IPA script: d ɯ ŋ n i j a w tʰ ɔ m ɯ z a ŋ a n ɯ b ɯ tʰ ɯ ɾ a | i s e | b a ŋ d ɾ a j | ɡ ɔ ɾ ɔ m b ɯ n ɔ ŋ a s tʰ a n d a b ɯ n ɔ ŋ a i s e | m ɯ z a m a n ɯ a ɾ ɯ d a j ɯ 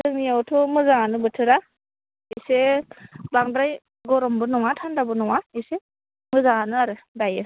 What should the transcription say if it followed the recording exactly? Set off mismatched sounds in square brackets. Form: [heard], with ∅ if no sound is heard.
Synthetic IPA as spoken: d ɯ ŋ n i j a w tʰ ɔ m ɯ z a ŋ a n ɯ b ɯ tʰ ɯ ɾ a | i s e | b a ŋ d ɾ a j | ɡ ɔ ɾ ɔ m b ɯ n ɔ ŋ a [∅] tʰ a n d a b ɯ n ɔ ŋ a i s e | m ɯ z a [ŋ] a n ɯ a ɾ ɯ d a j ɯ

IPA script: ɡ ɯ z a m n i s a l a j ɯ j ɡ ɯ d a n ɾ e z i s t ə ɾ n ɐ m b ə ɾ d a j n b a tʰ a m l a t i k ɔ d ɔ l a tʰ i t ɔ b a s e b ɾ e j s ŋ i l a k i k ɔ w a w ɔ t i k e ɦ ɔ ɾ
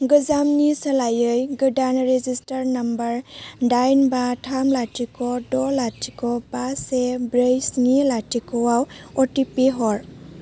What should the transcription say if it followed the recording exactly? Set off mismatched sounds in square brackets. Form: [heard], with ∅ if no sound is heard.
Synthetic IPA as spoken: ɡ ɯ z a m n i s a l a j ɯ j ɡ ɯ d a n ɾ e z i s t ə ɾ n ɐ m b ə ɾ d a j n b a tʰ a m l a t i k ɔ d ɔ l a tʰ i [k] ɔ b a s e b ɾ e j s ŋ i l a [t] i k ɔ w a w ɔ t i [p] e ɦ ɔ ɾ

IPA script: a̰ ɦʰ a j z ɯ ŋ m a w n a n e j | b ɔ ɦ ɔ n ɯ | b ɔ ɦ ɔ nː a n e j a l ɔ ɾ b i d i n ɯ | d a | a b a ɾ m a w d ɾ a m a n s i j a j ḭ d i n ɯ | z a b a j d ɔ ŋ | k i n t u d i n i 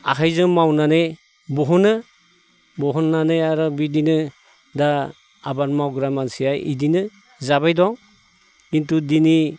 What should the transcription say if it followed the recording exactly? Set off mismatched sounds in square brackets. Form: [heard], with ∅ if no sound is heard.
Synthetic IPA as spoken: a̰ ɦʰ a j z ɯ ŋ m a w n a n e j | b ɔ ɦ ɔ n ɯ | b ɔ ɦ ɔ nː a n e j a [ɾ] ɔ [∅] b i d i n ɯ | d a | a b a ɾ m a w [ɡ] ɾ a m a n s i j a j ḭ d i n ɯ | z a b a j d ɔ ŋ | k i n t u d i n i

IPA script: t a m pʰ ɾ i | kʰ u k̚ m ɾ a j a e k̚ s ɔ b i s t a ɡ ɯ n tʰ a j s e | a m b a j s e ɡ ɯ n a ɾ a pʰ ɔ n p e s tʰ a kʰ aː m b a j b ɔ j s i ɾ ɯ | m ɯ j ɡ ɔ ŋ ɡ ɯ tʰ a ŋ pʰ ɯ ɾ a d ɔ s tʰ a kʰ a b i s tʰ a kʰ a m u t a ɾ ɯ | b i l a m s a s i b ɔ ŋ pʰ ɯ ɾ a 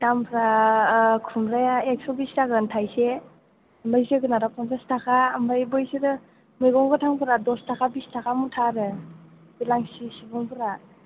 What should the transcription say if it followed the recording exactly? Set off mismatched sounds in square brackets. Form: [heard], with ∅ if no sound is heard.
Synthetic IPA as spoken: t a m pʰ ɾ [a] | kʰ u [∅] m ɾ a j a e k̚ s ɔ b i s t a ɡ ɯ n tʰ a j s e | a m b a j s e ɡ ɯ n a ɾ a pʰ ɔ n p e s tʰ a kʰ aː m b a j b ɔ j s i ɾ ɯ | m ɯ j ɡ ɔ ŋ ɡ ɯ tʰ a ŋ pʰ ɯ ɾ a d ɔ s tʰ a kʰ a b i s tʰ a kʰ a m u [tʰ] a ɾ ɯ | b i l a [ŋ] s [i] s i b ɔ ŋ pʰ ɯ ɾ a

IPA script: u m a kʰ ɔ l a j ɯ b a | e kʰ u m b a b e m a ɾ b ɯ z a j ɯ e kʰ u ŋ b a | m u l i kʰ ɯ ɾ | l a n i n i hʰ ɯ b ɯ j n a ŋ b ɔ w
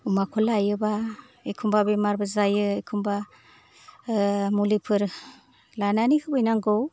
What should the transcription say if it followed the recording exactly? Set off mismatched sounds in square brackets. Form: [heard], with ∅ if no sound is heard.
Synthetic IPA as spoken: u m a kʰ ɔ l a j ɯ b a | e kʰ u m b a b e m a ɾ b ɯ z a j ɯ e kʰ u [m] b a | m u l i [pʰ] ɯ ɾ | l a n [a] n i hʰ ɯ b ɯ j n a ŋ [ɡ] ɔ w

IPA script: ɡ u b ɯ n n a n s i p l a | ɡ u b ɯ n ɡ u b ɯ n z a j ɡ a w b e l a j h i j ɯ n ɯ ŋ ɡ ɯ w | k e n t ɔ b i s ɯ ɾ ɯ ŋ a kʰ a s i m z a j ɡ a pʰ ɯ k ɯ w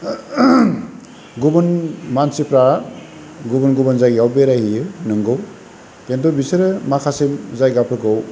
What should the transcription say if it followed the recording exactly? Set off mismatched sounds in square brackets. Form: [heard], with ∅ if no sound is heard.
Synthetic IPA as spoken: ɡ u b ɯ n [m] a n s i p [ɾ] a | ɡ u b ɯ n ɡ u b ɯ n z a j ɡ a w b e [ɾ] a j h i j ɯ n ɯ ŋ ɡ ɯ w | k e n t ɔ b i s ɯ ɾ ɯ [m] a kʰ a s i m z a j ɡ a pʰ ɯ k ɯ w

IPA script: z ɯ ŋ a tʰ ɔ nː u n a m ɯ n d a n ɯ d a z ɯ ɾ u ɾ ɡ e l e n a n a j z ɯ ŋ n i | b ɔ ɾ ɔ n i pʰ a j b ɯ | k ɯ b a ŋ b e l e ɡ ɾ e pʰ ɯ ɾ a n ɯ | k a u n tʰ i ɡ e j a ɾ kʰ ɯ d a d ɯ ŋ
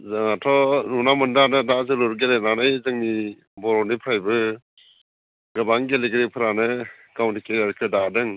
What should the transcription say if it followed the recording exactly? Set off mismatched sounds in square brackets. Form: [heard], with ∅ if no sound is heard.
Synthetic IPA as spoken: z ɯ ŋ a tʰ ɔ [n] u n a m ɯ n d a n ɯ d a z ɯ [l] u ɾ ɡ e l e n a n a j z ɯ ŋ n i | b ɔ ɾ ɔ n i pʰ a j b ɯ | [ɡ] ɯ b a ŋ [ɡ] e l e ɡ ɾ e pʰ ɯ ɾ a n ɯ | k a [w] n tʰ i [k] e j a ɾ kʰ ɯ d a d ɯ ŋ

